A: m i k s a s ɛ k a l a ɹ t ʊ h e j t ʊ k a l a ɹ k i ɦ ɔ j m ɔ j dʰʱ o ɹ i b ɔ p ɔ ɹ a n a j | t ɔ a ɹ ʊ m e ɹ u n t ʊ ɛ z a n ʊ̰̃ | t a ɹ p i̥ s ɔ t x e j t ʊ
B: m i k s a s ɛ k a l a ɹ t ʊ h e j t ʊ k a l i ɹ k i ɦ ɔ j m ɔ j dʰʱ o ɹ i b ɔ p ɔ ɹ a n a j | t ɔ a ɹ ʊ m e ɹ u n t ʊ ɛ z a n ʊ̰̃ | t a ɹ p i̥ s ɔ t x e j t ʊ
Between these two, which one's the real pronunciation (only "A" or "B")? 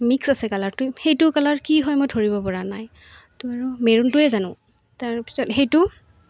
A